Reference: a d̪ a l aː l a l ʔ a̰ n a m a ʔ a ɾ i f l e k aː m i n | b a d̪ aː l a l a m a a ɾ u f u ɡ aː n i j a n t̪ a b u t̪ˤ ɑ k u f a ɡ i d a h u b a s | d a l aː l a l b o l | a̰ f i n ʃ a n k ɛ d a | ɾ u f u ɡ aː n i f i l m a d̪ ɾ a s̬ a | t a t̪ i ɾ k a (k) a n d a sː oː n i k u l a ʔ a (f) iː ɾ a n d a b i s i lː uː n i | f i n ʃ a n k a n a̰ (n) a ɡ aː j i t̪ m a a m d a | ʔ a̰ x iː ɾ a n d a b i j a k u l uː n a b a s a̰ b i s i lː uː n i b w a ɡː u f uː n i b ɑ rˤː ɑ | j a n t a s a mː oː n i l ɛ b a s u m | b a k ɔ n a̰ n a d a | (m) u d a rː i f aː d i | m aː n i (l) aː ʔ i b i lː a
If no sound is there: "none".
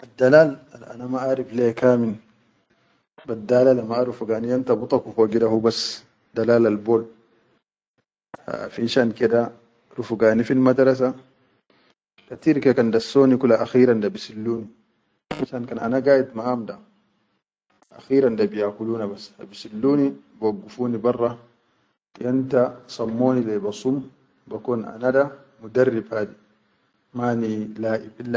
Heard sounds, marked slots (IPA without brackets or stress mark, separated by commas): k, x, n, m, l